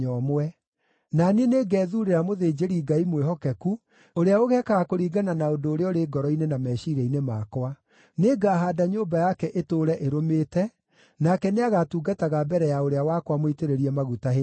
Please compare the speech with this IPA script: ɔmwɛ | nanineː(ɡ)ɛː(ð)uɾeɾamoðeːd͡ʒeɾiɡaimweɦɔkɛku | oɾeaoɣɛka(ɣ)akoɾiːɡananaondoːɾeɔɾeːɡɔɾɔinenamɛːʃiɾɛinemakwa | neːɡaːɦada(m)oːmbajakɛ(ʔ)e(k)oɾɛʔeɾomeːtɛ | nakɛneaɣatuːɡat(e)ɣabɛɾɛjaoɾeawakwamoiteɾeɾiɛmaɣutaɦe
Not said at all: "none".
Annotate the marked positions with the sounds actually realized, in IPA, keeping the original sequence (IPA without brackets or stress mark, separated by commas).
ɡ, ð, ɣ, ɲ, ʔ, t, a